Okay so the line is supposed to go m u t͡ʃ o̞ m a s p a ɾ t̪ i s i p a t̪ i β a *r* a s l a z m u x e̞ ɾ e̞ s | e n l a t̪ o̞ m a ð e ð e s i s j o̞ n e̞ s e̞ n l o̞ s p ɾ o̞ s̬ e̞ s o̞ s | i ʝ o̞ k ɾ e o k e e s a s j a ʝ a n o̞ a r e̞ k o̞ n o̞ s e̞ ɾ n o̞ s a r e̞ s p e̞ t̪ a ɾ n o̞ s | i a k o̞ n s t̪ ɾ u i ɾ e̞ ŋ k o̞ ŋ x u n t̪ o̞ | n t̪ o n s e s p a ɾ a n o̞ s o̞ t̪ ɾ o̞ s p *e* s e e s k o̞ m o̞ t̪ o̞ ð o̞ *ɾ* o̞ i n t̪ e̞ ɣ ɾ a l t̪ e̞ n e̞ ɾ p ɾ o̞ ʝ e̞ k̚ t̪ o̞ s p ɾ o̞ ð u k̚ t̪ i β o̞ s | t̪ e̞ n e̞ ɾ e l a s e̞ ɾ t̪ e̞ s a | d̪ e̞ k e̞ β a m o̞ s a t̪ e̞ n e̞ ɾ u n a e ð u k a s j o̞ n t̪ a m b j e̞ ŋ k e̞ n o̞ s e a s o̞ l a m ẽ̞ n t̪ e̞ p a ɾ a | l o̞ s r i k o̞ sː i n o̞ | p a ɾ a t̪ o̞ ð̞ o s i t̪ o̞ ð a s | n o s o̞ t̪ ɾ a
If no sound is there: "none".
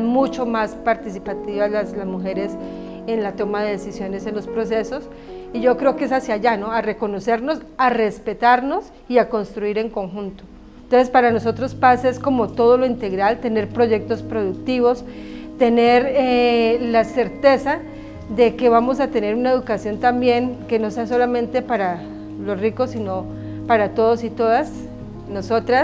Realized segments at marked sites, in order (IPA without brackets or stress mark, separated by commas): l, a, l